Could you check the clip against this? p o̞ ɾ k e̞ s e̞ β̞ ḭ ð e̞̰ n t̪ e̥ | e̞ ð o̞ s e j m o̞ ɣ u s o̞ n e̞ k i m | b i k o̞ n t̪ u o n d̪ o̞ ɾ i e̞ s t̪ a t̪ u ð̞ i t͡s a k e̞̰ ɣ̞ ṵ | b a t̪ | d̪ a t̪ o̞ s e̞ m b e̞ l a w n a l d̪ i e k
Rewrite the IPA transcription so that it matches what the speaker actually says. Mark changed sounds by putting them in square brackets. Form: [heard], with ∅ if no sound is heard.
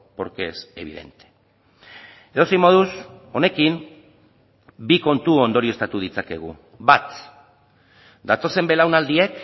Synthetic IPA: p o̞ ɾ k e̞ s e̞ β̞ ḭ ð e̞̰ n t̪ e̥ | e̞ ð o̞ s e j m o̞ [ð] u s o̞ n e̞ k i m | b i k o̞ n t̪ u o n d̪ o̞ ɾ i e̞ s t̪ a t̪ u ð̞ i t͡s a k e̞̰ ɣ̞ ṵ | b a t̪ | d̪ a t̪ o̞ s e̞ m b e̞ l a w n a l d̪ i e k